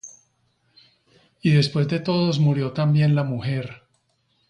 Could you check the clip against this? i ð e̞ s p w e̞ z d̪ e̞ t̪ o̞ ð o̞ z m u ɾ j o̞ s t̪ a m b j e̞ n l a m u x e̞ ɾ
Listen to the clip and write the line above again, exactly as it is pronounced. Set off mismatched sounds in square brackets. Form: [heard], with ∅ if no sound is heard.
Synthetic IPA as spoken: i ð e̞ s p w e̞ z d̪ e̞ t̪ o̞ ð o̞ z m u ɾ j o̞ [∅] t̪ a m b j e̞ n l a m u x e̞ ɾ